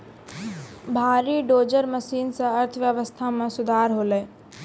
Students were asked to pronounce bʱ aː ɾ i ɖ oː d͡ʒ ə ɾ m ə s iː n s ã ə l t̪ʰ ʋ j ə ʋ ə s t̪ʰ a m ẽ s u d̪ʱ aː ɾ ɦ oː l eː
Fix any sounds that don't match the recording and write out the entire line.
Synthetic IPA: bʱ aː ɾ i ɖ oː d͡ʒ ə ɾ m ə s iː n s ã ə ɾ t̪ʰ ʋ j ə ʋ ə s t̪ʰ a m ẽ s ʊ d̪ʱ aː ɾ ɦ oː l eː